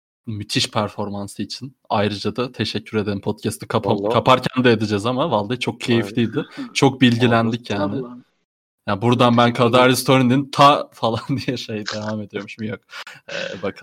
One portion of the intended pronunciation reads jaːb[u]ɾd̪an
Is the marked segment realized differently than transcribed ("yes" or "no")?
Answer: no